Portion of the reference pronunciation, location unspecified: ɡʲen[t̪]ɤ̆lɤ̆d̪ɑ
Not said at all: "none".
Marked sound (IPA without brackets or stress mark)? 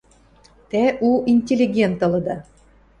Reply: t̪